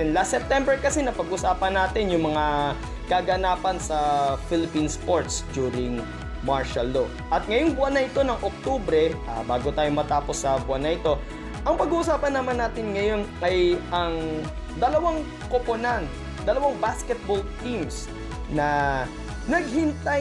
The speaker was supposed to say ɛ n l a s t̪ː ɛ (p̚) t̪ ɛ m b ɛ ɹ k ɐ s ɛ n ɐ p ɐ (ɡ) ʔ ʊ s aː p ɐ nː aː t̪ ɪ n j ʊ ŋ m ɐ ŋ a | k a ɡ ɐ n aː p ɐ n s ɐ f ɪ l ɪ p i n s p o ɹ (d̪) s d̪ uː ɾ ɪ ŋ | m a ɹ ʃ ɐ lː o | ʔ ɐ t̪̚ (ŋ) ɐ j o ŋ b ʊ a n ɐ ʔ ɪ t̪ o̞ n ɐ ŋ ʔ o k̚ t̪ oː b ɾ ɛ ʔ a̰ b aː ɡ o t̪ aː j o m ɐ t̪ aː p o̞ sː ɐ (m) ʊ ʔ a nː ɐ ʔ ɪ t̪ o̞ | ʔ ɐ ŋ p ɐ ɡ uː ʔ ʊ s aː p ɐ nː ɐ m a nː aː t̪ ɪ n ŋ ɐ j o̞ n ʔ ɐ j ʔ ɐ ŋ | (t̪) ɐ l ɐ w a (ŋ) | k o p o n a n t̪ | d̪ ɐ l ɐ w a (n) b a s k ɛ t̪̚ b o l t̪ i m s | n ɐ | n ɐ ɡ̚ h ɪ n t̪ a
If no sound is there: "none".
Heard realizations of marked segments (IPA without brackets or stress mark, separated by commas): p̚, ɡ, t̪, ŋ, b, d̪, ŋ, ŋ